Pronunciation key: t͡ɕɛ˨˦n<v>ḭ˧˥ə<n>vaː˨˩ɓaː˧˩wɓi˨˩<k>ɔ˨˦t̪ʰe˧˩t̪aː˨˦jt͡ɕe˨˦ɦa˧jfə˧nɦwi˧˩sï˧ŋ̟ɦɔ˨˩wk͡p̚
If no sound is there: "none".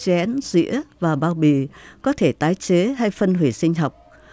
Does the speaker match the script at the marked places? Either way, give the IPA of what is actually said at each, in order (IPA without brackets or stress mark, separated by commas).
z, none, k